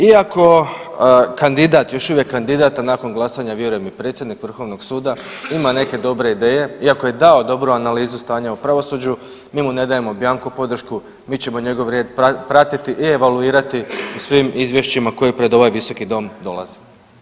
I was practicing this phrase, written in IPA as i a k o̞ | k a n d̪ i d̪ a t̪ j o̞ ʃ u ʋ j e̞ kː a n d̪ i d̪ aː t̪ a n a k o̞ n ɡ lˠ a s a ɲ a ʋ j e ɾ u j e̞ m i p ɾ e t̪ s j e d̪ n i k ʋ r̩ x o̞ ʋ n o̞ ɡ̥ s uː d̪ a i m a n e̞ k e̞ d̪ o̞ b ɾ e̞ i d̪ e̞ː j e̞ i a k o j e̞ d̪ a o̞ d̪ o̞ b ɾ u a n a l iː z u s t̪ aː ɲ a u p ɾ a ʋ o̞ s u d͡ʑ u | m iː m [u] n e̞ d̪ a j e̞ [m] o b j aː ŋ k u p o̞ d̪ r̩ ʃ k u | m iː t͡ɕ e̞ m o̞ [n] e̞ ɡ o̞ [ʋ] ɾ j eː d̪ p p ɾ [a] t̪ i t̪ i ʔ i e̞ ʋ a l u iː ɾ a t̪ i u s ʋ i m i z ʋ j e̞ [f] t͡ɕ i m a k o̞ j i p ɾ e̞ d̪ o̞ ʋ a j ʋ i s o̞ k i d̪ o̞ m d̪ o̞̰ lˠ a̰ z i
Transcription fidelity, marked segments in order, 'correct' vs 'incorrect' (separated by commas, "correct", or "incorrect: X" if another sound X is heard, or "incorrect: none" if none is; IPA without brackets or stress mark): correct, correct, incorrect: ɲ, correct, correct, incorrect: ʃ